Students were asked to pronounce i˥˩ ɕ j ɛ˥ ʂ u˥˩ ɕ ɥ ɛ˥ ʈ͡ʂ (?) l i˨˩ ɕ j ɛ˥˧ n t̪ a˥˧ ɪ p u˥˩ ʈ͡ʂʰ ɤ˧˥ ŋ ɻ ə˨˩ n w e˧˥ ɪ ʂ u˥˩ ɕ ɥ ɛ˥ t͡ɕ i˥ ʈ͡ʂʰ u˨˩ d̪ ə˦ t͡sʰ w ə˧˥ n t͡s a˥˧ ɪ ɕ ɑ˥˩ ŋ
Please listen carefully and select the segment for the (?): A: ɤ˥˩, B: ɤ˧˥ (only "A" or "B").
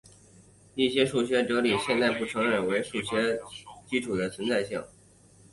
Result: B